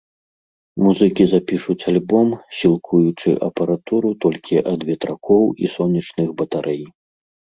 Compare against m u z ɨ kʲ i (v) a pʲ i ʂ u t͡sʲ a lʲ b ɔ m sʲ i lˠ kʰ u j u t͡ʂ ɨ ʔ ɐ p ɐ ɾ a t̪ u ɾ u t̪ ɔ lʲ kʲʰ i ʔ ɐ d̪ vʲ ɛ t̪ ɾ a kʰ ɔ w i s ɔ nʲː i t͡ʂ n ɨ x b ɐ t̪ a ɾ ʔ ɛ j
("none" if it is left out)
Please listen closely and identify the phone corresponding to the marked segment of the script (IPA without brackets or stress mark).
z